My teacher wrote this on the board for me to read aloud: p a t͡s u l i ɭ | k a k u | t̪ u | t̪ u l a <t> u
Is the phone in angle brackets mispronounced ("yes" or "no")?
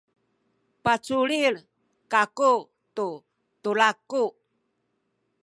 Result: yes